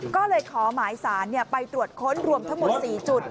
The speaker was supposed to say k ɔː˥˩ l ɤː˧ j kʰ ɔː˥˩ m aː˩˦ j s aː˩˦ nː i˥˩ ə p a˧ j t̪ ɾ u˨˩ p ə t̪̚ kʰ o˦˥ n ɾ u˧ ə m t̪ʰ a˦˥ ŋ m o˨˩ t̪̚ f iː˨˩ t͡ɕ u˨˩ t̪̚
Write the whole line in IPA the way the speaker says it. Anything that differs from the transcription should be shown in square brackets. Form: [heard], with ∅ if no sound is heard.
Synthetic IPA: k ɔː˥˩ l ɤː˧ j kʰ [ɔː˩˦] m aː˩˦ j s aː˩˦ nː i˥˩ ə p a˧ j t̪ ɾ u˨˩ [∅] ə t̪̚ kʰ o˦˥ n ɾ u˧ ə m t̪ʰ a˦˥ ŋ m o˨˩ t̪̚ [s] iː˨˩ t͡ɕ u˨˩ t̪̚